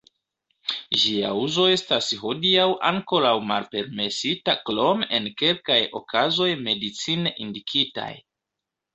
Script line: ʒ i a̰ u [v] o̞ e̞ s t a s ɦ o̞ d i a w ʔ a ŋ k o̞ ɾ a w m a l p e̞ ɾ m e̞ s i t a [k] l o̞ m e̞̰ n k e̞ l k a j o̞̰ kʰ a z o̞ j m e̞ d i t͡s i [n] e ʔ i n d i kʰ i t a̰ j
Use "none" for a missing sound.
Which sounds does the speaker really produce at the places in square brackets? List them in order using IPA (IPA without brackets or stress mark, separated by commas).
z, k, n